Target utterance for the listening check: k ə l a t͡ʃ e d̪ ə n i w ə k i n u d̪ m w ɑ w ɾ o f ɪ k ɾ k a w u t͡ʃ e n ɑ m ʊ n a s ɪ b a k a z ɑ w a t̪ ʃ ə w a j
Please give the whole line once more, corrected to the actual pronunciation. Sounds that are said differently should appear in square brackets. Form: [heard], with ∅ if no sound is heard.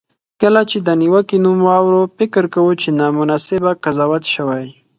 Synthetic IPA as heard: k ə l a t͡ʃ e d̪ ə n i w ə k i n u [∅] m w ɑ w ɾ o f ɪ k ɾ k a w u t͡ʃ e n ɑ m ʊ n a s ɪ b a k a z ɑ w a t̪ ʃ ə w a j